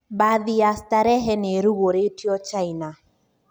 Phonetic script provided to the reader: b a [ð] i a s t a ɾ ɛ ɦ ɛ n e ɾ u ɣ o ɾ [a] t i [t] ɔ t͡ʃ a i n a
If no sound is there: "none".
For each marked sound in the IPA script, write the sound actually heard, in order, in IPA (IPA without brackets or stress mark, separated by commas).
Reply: ð, e, none